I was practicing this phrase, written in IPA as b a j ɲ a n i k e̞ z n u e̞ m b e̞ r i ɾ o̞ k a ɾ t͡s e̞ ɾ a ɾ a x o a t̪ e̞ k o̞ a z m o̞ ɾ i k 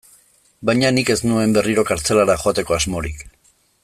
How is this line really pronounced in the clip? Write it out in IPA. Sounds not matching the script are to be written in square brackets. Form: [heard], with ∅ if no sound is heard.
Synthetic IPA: b a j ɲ a n i k e̞ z n u e̞ m b e̞ r i ɾ o̞ k a ɾ t͡s e̞ [l] a ɾ a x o a t̪ e̞ k o̞ a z m o̞ ɾ i k